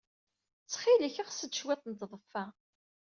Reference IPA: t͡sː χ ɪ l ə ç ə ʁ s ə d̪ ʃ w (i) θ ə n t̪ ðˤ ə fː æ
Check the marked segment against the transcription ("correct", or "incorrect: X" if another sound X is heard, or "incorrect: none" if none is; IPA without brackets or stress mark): incorrect: æ